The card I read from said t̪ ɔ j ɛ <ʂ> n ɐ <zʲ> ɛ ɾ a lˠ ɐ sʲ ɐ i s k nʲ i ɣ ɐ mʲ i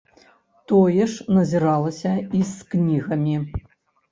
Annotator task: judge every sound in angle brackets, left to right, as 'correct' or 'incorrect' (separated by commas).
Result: correct, correct